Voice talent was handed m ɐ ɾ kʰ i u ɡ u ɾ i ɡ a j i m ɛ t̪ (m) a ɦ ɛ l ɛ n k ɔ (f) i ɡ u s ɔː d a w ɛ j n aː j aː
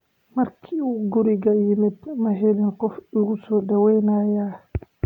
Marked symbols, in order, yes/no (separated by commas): yes, yes